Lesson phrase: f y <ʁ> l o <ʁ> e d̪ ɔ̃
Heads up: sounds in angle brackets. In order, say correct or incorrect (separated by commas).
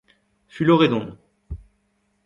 incorrect, correct